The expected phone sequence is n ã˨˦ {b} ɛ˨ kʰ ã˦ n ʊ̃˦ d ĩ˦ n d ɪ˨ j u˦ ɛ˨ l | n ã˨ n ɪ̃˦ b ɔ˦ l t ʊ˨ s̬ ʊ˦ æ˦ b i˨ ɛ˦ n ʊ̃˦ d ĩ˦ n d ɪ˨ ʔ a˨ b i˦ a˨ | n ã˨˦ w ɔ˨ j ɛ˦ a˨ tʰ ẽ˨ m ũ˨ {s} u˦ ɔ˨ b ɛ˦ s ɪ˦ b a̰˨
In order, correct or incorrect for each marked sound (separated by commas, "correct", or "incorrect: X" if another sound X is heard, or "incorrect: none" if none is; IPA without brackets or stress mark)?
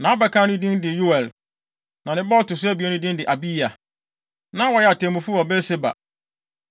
correct, incorrect: f